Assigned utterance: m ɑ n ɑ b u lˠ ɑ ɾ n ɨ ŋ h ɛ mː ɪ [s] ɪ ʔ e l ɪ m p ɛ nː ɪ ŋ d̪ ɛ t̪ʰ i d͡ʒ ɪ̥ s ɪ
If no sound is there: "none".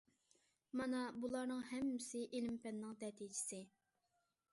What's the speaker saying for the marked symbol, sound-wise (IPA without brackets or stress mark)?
s